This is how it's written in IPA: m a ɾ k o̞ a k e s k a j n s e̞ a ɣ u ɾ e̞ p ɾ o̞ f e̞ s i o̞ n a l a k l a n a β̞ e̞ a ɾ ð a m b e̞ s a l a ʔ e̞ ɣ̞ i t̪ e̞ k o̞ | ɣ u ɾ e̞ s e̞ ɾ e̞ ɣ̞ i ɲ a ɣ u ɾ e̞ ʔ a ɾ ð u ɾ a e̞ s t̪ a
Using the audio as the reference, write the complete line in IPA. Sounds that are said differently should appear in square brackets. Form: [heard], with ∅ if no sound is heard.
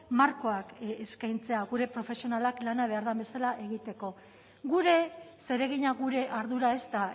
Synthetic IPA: m a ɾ k o̞ a k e s k a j n [t͡s] e̞ a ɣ u ɾ e̞ p ɾ o̞ f e̞ s i o̞ n a l a k l a n a β̞ e̞ a ɾ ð a m b e̞ s a l a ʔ e̞ ɣ̞ i t̪ e̞ k o̞ | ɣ u ɾ e̞ s e̞ ɾ e̞ ɣ̞ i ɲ a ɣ u ɾ e̞ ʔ a ɾ ð u ɾ a e̞ s t̪ a

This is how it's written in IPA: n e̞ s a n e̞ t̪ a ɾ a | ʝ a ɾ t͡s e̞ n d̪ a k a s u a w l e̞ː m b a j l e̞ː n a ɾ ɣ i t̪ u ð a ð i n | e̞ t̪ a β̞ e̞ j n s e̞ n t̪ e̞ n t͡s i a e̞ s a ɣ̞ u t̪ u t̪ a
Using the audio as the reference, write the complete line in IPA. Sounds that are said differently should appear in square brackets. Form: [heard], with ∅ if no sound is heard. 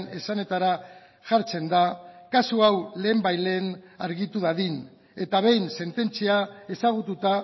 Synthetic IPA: n e̞ s a n e̞ t̪ a ɾ a | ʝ a ɾ t͡s e̞ n d̪ a k a s u a w l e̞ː m b a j l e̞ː n a ɾ ɣ i t̪ u ð a ð i n | e̞ t̪ a β̞ e̞ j n s e̞ n t̪ e̞ n t͡s i a e̞ s a ɣ̞ u t̪ u t̪ a

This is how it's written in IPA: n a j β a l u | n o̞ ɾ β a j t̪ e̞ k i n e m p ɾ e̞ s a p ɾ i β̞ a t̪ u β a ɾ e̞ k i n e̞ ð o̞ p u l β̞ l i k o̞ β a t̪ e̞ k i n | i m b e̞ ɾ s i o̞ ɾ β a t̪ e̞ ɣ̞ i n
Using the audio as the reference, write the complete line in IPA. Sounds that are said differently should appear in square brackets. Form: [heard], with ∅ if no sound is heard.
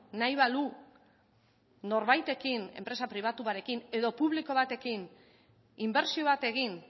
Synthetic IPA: n a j β a l u | n o̞ ɾ β a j t̪ e̞ k i n e m p ɾ e̞ s a p ɾ i β̞ a t̪ u β a ɾ e̞ k i n e̞ ð o̞ p u [∅] β̞ l i k o̞ β a t̪ e̞ k i n | i m b e̞ ɾ s i o̞ [∅] β a t̪ e̞ ɣ̞ i n

